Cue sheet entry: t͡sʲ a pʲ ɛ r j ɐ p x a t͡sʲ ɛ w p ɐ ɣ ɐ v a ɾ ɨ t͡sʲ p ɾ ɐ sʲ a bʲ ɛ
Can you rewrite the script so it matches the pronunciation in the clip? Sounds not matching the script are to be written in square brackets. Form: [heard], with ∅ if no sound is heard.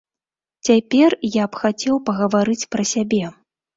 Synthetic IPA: t͡sʲ a pʲ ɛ r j [a] p x a t͡sʲ ɛ w p ɐ ɣ ɐ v a ɾ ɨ t͡sʲ p ɾ ɐ sʲ a bʲ ɛ